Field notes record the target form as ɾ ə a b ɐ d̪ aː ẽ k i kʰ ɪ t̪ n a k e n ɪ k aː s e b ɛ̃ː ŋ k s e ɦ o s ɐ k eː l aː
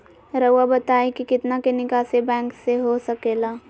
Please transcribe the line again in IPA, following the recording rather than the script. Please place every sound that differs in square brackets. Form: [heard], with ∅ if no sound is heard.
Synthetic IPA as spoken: ɾ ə a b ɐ [t̪] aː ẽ k i [k] ɪ t̪ n a k e n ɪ k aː s e b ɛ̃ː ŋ k s e ɦ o s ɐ k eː l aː